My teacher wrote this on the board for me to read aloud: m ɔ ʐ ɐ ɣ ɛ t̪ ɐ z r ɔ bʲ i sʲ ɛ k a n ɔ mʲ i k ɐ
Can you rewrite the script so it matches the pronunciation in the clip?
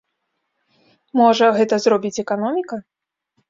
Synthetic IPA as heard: m ɔ ʐ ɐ ɣ ɛ t̪ ɐ z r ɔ bʲ i t͡sʲ ɛ k a n ɔ mʲ i k ɐ